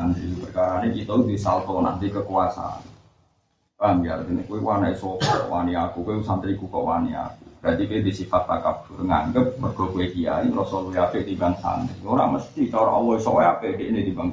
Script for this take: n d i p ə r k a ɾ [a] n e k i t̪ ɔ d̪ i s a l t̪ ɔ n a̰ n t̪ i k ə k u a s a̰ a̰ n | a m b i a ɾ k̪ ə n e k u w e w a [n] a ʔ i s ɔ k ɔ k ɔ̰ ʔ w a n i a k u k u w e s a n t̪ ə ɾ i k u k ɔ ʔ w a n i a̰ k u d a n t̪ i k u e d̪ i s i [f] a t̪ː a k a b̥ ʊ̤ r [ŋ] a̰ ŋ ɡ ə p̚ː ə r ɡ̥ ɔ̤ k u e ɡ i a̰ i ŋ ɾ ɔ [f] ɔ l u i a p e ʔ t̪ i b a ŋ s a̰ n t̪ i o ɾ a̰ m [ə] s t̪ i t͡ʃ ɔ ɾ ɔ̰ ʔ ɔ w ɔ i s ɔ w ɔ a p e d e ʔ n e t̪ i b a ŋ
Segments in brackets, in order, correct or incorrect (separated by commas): correct, correct, correct, correct, incorrect, correct